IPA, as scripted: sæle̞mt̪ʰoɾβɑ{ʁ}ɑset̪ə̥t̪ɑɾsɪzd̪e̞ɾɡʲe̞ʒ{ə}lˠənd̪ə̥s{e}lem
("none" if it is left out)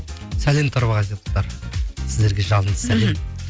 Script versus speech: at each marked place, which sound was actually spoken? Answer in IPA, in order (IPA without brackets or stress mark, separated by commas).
ʁ, ɑ, æ